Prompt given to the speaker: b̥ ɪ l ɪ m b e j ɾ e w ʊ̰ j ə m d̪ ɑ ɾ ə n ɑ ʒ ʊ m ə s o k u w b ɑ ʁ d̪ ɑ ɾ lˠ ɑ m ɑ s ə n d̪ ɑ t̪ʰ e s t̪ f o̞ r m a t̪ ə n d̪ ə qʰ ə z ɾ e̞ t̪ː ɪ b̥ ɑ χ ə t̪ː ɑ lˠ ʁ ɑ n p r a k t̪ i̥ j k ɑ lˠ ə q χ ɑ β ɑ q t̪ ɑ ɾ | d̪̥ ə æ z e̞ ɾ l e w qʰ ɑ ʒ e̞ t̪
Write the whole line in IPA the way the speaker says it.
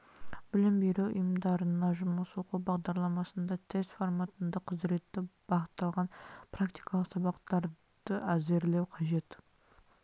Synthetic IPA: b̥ ɪ l ɪ m b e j ɾ e w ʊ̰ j ə m d̪ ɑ ɾ ə n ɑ ʒ ʊ m ə s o q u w b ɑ ʁ d̪ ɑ ɾ lˠ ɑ m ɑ s ə n d̪ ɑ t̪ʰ e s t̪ f o̞ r m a t̪ ə n d̪ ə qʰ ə z ɾ e̞ t̪ː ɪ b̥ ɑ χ ə t̪ː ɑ lˠ ʁ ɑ n p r a k t̪ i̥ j k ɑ lˠ ə q s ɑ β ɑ q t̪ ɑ ɾ | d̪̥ ə æ z e̞ ɾ l e w qʰ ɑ ʒ e̞ t̪